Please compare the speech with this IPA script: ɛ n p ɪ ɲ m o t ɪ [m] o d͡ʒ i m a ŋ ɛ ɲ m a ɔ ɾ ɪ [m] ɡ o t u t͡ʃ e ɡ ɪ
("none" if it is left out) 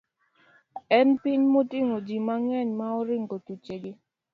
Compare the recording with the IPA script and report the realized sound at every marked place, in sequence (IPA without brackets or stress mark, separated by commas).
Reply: ŋ, ŋ